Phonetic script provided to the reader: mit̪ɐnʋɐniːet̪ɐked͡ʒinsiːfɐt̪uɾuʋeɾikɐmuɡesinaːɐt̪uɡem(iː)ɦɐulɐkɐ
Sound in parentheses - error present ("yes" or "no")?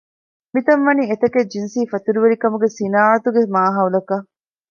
yes